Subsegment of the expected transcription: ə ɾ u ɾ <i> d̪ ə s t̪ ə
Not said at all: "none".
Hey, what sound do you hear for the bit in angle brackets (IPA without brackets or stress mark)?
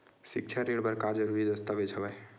i